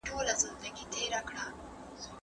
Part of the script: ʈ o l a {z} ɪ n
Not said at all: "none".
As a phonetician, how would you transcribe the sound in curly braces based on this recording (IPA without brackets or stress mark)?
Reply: z